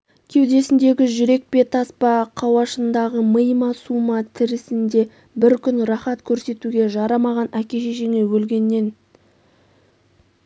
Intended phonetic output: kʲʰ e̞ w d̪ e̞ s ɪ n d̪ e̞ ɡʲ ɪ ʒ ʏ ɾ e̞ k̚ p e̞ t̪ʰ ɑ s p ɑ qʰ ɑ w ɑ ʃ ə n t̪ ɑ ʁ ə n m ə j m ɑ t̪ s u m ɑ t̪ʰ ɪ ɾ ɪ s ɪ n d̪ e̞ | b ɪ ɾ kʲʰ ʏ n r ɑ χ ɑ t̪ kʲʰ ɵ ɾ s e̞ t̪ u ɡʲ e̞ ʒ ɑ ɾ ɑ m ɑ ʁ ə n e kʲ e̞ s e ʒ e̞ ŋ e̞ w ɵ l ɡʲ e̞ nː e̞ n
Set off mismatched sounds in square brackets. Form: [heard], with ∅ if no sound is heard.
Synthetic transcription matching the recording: kʲʰ e̞ w d̪ e̞ s ɪ n d̪ e̞ ɡʲ ɪ ʒ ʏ ɾ e̞ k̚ p e̞ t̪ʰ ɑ s p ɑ qʰ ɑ w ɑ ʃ ə n [d̪] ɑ ʁ ə [∅] m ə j m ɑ [∅] s u m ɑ t̪ʰ ɪ ɾ ɪ s ɪ n d̪ e̞ | b ɪ ɾ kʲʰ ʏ n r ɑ χ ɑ t̪ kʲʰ ɵ ɾ s e̞ t̪ u ɡʲ e̞ ʒ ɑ ɾ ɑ m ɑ ʁ [ɑ] n [æ] kʲ e̞ [ʃ] e ʒ e̞ ŋ e̞ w ɵ l ɡʲ e̞ nː e̞ n